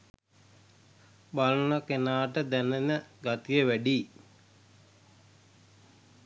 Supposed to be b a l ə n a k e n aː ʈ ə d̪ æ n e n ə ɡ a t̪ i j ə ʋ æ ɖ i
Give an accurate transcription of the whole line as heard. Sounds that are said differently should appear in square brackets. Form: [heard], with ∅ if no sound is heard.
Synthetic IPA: b a l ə n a k e n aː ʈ ə d̪ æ n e n ə ɡ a t̪ i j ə ʋ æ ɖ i